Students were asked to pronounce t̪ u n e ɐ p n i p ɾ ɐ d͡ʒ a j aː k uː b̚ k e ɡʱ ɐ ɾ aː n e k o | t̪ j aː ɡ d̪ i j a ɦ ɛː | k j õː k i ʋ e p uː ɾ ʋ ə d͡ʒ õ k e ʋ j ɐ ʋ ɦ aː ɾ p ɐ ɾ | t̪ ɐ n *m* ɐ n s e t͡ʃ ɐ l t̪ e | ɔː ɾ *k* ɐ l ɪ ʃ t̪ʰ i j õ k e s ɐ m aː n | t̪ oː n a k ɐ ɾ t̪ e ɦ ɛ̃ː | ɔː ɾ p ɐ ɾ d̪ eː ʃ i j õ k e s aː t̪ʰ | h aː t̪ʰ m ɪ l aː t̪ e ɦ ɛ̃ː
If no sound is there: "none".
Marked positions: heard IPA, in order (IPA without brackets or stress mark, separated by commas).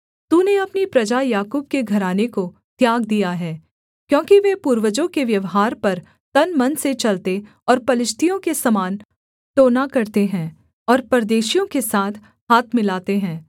m, p